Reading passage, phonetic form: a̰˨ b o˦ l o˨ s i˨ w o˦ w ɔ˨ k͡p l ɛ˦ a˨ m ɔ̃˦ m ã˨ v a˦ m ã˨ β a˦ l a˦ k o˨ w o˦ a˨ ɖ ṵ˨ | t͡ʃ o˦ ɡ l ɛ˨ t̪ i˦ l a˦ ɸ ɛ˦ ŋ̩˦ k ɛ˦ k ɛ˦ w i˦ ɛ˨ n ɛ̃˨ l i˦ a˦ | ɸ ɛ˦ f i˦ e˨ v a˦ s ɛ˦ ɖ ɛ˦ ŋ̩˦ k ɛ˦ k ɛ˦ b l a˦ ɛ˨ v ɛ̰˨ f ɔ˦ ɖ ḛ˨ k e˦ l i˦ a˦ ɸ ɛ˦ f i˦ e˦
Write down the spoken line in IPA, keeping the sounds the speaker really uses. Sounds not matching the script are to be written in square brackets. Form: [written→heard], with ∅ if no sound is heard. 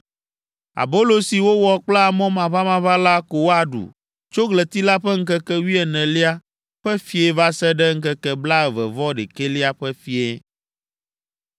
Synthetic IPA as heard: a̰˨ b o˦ l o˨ s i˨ w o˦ w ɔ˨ k͡p l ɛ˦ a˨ m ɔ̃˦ m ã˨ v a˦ m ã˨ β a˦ l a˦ k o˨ w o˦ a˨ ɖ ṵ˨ | t͡ʃ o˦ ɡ l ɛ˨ t̪ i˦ l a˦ ɸ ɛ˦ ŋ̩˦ k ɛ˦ k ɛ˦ w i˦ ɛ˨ n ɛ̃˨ l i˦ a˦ | ɸ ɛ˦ f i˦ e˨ v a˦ s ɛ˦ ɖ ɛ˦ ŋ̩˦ k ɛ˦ k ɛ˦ b l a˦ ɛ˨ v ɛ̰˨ [f→v] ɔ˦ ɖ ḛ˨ k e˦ l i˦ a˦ ɸ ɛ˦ f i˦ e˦